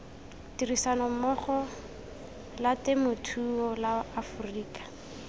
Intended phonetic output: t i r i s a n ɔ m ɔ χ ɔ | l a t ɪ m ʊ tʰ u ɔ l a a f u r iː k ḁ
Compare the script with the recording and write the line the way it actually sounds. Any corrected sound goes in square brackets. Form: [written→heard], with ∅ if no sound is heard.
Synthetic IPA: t i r i s a n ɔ m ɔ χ ɔ | l a t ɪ m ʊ tʰ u ɔ l a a f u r iː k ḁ